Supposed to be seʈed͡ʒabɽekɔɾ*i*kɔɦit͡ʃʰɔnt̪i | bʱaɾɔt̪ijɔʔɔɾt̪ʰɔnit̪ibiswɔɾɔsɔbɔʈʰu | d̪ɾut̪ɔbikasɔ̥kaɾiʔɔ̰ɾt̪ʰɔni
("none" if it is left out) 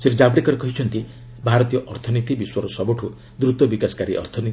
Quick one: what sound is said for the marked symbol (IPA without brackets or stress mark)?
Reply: e